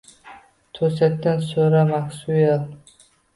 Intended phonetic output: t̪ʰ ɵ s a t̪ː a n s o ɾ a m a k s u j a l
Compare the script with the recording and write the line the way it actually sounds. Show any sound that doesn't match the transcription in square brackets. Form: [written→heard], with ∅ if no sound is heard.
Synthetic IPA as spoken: t̪ʰ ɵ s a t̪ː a n s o ɾ a m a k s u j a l